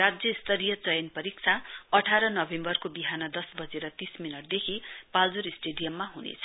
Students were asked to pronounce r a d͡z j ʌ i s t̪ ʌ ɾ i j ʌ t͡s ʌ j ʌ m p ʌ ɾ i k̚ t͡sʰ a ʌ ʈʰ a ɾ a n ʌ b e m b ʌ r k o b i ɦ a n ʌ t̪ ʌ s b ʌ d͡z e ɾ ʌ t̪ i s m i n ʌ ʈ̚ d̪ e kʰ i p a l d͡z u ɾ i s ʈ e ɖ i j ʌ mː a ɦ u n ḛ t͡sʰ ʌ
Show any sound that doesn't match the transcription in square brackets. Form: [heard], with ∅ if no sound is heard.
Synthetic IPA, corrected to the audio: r a d͡z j ʌ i s t̪ ʌ ɾ i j ʌ t͡s ʌ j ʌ [n] p ʌ ɾ i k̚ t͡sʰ a ʌ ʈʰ a ɾ [ʌ] n ʌ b e m b ʌ r k o b i ɦ a n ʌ [d̪] ʌ s b ʌ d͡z e ɾ ʌ t̪ i s m i n ʌ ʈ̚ d̪ e kʰ i p a l d͡z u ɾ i s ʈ e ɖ i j ʌ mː a ɦ u n ḛ t͡sʰ ʌ